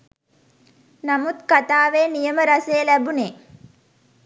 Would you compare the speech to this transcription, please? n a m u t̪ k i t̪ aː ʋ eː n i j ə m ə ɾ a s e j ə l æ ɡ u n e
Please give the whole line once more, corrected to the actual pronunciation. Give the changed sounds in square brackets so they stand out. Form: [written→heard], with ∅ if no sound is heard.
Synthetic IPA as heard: n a m u t̪ k [i→a] t̪ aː ʋ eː n i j ə m ə ɾ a s e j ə l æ [ɡ→b] u n e